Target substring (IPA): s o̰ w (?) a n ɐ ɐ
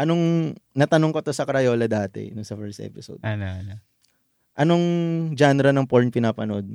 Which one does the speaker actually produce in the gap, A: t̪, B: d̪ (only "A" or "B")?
B